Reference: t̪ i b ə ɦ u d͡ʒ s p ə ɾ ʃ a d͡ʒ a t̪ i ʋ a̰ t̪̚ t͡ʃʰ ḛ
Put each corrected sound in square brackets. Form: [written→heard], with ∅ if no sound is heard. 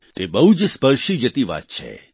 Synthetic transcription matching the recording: t̪ [i→e] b ə ɦ u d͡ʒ s p ə ɾ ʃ [a→i] d͡ʒ [a→ə] t̪ i ʋ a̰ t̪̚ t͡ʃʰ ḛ